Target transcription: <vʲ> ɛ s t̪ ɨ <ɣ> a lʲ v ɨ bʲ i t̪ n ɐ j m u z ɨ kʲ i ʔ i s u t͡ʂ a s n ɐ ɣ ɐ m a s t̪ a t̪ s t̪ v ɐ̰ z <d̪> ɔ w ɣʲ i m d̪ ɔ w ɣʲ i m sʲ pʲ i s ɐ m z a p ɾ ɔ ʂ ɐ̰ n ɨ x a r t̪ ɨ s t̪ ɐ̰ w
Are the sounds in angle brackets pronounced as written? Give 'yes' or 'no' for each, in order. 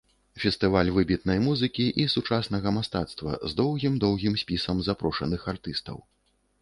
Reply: no, no, yes

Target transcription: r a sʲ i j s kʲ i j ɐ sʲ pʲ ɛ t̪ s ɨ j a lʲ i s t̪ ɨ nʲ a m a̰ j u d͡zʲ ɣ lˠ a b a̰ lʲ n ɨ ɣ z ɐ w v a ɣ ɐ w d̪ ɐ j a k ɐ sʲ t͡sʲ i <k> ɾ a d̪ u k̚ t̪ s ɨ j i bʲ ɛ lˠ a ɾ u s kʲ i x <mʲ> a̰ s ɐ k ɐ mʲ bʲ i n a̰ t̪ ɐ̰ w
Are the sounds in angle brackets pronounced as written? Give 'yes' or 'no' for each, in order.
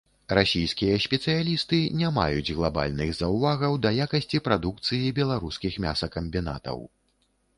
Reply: no, yes

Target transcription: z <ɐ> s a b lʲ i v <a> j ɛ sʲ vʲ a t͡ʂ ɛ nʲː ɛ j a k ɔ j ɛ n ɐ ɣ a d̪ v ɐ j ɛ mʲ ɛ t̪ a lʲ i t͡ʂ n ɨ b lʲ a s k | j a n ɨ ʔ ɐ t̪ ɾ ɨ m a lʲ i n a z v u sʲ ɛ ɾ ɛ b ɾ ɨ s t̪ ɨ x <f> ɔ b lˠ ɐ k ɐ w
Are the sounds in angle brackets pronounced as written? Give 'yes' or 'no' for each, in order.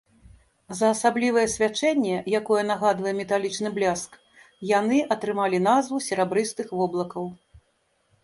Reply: no, no, no

